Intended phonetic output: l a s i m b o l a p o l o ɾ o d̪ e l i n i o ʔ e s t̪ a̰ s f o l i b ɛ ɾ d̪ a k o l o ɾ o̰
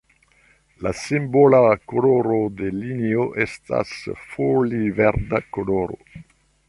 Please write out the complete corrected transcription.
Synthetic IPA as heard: l a s i m b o l a k o l o ɾ o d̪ e l i n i o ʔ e s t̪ a̰ s f o l i v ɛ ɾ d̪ a k o l o ɾ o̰